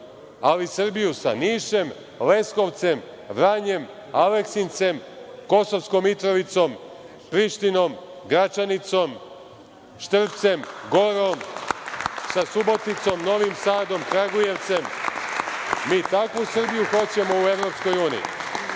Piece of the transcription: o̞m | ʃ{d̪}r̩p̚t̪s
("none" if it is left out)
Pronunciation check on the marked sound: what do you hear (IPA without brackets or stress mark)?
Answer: t̪